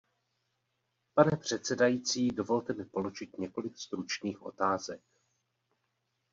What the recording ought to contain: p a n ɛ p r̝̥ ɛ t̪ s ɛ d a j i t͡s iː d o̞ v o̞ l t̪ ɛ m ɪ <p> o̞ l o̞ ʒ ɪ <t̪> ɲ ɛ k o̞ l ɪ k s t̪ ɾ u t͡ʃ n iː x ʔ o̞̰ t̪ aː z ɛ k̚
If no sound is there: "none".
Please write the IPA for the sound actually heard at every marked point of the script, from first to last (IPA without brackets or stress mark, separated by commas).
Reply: p, t̪